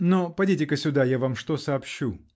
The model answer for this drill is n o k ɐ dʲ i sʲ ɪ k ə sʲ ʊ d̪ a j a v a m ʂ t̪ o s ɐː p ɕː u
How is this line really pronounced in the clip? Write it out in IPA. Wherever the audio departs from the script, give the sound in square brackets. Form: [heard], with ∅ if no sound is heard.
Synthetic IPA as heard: n o [p] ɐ dʲ i [tʲ] ɪ k ə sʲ ʊ d̪ a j a v a m ʂ t̪ o s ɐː p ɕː u